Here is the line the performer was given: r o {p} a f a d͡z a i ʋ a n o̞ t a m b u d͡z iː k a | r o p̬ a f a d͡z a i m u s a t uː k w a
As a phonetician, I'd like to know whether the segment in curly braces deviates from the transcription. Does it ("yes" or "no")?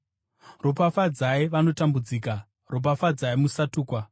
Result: no